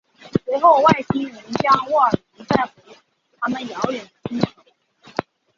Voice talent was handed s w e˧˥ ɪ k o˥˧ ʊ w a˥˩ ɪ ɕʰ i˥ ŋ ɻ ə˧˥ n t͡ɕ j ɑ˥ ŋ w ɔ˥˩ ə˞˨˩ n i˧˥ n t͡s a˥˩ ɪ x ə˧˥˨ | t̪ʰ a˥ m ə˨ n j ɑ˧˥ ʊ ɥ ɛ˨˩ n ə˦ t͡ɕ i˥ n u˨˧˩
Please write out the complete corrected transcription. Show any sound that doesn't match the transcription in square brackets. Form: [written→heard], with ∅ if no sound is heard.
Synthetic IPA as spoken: s w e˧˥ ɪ [k→x] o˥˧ ʊ w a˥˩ ɪ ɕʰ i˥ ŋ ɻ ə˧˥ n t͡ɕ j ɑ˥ ŋ w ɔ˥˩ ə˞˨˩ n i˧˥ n t͡s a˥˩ ɪ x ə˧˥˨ | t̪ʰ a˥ m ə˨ n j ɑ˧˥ ʊ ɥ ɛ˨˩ n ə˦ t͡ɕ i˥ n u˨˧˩